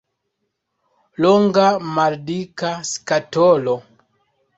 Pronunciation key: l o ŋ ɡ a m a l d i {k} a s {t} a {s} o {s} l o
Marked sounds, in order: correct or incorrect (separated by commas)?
correct, incorrect, incorrect, incorrect